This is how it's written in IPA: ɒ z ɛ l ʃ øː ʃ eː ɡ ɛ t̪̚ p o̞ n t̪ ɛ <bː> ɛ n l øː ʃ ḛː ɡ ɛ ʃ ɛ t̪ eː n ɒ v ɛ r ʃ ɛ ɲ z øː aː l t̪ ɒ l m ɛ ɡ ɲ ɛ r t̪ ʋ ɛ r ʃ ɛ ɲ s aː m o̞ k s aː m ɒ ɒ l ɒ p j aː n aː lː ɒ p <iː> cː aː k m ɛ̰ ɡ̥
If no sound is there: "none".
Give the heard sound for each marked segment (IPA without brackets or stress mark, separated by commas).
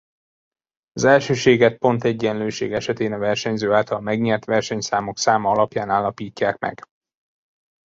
ɟː, iː